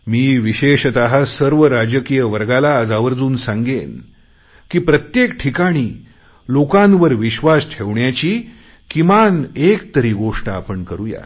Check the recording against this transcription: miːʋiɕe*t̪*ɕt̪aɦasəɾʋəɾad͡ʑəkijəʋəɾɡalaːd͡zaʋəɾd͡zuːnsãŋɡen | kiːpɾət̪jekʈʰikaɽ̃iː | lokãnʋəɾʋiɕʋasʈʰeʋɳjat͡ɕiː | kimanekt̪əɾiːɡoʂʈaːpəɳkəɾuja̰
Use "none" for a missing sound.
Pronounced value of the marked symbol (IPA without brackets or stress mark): none